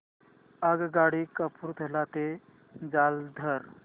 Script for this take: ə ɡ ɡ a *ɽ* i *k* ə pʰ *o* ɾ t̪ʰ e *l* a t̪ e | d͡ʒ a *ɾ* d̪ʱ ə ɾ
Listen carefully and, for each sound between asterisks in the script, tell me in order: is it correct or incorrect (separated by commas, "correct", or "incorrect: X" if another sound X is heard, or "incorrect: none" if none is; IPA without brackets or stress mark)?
correct, correct, incorrect: u, correct, incorrect: l